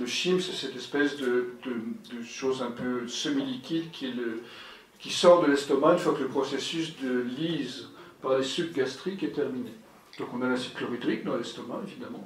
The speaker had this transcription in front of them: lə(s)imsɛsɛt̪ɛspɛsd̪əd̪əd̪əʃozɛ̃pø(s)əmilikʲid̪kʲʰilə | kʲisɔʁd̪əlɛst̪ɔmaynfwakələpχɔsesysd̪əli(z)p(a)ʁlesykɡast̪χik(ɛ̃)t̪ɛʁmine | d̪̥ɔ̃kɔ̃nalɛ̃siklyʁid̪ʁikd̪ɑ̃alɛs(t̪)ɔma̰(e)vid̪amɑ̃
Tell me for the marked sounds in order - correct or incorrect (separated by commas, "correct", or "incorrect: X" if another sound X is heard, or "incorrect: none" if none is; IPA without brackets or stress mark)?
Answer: incorrect: ʃ, correct, correct, correct, incorrect: ɛ, correct, correct